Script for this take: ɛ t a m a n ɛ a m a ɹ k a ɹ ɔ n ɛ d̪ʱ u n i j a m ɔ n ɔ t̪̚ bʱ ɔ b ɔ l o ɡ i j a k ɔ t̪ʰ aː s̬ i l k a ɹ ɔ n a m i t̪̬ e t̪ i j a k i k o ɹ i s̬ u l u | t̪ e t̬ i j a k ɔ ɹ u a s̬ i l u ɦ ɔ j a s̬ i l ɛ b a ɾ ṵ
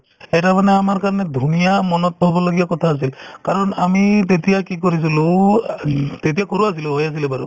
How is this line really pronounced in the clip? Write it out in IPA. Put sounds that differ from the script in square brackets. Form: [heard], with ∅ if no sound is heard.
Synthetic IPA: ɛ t a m a n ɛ a m a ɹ k a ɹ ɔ n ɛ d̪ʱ u n i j a m ɔ n ɔ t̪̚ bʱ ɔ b ɔ l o ɡ i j a k ɔ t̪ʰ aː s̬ i l k a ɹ ɔ n a m i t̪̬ e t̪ i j a k i k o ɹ i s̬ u l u | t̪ e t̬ i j a k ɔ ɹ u a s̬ i l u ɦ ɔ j a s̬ i l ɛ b a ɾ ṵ